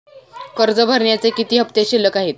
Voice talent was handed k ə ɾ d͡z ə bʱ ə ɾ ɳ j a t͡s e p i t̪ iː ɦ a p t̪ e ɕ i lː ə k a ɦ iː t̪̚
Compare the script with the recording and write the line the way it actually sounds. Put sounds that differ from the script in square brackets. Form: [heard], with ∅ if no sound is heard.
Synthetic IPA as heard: k ə ɾ d͡z ə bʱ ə ɾ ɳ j a t͡s e [k] i t̪ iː ɦ [ə] p t̪ e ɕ i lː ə k a ɦ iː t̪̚